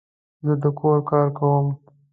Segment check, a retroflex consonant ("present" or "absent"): absent